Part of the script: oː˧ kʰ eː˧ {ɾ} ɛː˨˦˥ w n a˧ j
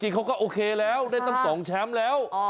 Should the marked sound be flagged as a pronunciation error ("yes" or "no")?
yes